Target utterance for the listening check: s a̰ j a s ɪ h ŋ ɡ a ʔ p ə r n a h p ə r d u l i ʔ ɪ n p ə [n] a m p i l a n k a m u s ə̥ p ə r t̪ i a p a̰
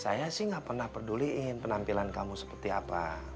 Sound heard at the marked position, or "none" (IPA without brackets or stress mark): n